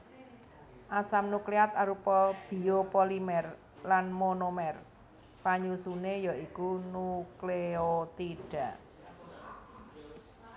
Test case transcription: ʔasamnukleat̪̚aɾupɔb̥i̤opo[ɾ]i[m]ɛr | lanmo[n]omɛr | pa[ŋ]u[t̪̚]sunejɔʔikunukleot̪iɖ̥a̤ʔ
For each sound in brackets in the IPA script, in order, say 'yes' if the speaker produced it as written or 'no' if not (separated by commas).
no, yes, yes, no, no